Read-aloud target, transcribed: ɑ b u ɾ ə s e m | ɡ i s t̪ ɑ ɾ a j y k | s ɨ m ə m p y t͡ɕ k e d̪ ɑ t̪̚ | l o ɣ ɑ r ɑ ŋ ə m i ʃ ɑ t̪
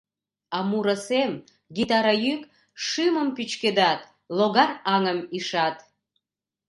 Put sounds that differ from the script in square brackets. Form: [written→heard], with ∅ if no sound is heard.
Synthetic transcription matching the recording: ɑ [b→m] u ɾ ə s e m | ɡ i [s→∅] t̪ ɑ ɾ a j y k | [s→ʃ] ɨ m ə m p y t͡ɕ k e d̪ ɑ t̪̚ | l o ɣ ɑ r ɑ ŋ ə m i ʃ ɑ t̪